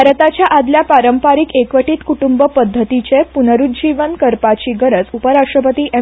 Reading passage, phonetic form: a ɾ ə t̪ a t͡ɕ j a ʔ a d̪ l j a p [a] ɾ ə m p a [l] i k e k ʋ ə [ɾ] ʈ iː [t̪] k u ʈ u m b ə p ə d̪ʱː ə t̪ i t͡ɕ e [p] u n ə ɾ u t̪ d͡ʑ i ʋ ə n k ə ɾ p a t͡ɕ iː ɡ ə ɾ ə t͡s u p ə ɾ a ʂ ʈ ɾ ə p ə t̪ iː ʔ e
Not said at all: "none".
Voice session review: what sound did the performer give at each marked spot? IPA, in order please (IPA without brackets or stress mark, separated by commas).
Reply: a, ɾ, none, t̪, p